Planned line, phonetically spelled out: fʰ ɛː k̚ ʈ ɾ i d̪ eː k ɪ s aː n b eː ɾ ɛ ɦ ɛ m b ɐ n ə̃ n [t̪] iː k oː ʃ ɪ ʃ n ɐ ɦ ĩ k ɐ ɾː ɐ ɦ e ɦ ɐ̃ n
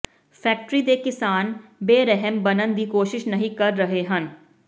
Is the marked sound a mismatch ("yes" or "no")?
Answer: yes